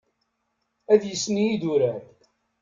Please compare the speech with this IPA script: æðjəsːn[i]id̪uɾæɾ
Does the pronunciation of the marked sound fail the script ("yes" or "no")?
no